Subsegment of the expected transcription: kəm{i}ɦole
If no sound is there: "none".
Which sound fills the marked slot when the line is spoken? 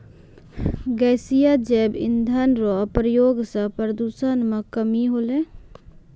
i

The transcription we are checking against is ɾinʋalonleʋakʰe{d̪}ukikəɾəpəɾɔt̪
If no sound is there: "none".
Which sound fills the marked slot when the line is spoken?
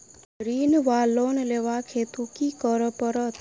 t̪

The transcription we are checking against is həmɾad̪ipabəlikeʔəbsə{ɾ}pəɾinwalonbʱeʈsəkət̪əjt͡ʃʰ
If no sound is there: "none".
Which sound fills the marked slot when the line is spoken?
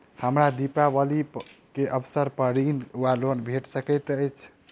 ɾ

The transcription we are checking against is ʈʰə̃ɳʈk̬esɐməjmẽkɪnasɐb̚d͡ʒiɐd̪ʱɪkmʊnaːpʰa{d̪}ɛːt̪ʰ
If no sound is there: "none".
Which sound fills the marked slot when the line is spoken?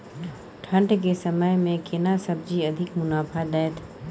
d̪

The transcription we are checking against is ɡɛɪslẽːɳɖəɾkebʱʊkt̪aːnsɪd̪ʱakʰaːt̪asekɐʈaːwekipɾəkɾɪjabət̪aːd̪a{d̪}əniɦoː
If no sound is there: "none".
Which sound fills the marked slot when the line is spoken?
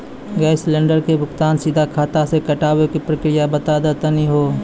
t̪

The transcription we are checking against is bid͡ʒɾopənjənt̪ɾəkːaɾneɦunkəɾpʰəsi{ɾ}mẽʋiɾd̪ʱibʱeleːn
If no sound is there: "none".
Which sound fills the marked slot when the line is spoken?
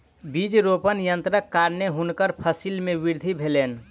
l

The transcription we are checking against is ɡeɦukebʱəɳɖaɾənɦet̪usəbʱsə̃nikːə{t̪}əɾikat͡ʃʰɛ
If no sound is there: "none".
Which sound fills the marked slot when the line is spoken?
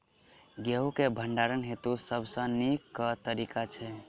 t̪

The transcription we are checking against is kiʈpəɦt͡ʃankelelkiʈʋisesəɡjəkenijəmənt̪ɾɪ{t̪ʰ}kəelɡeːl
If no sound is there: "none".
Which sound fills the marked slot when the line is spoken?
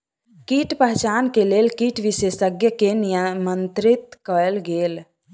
t̪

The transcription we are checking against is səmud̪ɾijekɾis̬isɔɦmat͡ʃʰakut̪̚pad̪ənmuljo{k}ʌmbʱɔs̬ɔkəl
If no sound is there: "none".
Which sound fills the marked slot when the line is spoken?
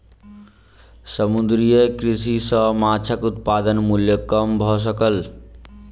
k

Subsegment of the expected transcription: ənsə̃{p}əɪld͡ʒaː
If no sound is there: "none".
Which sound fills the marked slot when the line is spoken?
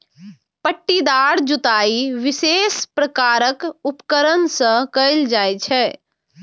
k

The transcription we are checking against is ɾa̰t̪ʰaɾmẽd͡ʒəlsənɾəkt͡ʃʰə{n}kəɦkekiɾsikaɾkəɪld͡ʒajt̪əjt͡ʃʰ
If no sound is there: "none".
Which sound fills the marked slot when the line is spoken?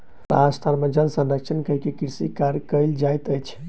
n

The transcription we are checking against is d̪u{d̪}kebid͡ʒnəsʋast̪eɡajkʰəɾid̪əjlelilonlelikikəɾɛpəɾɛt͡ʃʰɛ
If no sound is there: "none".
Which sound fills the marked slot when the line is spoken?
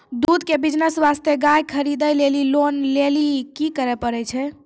d̪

